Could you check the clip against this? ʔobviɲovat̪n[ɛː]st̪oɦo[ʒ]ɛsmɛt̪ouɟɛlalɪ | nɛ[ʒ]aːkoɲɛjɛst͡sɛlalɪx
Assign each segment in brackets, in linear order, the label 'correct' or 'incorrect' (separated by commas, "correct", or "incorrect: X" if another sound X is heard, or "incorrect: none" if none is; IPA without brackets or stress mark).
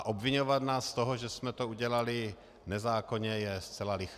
incorrect: aː, correct, incorrect: z